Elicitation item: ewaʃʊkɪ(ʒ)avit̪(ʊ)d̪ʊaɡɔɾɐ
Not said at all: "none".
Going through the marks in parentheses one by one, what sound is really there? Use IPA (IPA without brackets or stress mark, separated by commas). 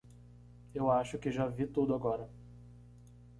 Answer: ʒ, u